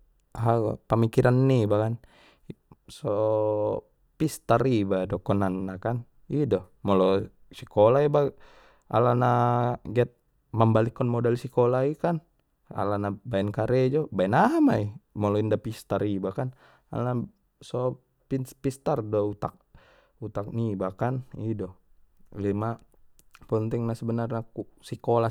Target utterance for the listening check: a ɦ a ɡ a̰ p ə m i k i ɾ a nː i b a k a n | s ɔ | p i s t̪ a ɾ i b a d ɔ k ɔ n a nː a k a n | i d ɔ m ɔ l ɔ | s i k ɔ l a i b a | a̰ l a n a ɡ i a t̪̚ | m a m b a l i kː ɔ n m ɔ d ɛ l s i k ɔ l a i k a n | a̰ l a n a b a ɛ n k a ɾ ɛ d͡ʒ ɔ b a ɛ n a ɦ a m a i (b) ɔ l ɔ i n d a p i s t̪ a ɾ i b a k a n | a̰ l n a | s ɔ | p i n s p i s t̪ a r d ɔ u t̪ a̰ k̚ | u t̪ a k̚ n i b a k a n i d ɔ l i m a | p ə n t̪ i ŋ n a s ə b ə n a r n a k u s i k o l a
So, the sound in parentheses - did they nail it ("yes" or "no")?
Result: no